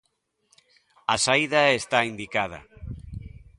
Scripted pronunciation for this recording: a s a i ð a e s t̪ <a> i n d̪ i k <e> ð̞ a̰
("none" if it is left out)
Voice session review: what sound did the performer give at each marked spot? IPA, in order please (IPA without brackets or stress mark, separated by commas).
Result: a, a